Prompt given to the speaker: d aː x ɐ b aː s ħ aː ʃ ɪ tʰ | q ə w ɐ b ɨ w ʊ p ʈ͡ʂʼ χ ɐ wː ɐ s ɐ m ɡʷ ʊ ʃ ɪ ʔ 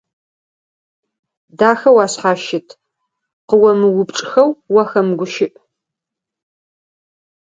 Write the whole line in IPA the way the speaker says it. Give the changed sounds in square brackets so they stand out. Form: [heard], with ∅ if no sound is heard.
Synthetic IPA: d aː x ɐ [w] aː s ħ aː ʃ ɪ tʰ | q ə w ɐ [m] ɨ w ʊ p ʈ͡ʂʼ [x] ɐ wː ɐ [x] ɐ m ɡʷ ʊ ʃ ɪ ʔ